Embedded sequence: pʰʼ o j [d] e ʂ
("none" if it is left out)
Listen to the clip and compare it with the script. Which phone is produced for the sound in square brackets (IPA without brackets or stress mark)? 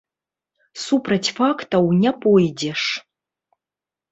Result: d